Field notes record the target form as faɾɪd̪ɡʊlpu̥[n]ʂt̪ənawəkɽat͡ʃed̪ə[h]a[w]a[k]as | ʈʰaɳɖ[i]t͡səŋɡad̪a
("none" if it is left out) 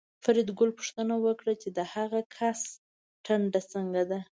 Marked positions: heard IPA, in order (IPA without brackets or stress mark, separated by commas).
none, h, ɣ, kʰ, a